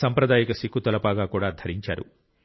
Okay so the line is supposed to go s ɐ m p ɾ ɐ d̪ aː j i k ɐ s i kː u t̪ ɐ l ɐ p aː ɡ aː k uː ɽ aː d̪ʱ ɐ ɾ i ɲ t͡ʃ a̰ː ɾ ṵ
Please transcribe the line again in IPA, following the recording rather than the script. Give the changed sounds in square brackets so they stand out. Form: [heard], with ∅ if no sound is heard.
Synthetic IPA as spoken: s ɐ m p ɾ ɐ d̪ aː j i k ɐ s i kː u t̪ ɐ l ɐ p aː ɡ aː k uː ɽ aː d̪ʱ ɐ ɾ i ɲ t͡ʃ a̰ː ɾ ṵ